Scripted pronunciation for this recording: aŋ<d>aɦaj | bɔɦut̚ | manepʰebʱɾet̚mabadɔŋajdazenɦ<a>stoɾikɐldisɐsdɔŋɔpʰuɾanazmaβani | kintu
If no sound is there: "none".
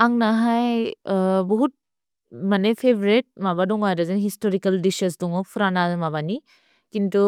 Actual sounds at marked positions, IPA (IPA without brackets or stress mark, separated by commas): n, i